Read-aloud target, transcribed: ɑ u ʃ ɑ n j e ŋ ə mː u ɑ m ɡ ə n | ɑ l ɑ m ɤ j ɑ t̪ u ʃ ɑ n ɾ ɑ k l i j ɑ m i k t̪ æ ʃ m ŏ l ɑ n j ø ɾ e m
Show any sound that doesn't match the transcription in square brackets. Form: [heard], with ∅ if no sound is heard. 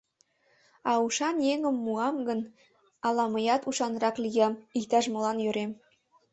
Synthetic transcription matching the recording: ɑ u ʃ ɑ n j e ŋ ə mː u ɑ m ɡ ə n | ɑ l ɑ m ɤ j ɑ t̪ u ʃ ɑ n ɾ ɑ k l i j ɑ m i k t̪ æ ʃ m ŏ l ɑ n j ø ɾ e m